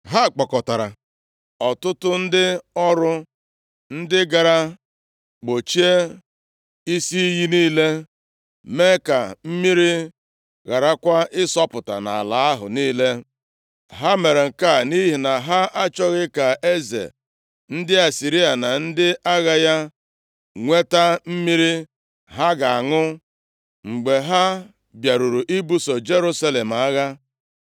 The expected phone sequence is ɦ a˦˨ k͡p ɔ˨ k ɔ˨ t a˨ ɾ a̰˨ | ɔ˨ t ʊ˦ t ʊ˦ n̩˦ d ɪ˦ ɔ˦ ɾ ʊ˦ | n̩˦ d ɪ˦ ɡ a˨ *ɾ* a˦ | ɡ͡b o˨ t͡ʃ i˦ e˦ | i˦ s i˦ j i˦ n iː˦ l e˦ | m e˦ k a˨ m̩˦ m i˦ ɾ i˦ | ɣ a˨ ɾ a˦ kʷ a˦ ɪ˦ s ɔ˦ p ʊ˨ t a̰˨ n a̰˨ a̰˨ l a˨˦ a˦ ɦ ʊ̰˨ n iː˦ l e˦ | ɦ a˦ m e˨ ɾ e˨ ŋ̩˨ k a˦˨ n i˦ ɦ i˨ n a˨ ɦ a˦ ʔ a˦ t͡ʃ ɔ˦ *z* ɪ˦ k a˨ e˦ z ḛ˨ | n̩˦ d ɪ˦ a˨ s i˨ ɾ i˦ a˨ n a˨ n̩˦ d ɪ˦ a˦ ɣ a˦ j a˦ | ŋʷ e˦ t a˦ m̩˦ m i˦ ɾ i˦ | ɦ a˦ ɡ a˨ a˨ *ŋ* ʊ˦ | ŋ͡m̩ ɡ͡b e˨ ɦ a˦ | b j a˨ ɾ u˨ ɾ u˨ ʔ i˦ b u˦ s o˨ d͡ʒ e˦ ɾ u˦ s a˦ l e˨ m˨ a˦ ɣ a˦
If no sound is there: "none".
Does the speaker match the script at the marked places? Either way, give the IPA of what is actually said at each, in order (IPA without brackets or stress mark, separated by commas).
ɾ, ɣ, ŋ